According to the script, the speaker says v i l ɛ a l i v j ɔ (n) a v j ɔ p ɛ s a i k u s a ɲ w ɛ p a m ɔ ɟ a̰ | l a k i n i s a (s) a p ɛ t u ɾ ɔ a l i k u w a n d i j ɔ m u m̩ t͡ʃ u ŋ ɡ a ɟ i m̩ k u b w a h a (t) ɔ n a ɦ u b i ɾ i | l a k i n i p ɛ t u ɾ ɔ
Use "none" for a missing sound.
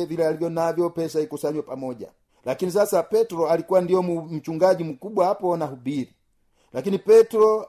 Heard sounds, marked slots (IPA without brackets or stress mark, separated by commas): n, s, p